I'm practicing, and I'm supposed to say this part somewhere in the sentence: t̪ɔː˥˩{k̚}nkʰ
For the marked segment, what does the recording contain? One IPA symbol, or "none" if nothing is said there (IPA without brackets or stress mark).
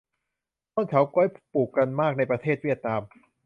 none